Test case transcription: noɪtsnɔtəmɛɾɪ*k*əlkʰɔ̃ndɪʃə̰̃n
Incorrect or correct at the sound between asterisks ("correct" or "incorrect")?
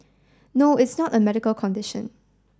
correct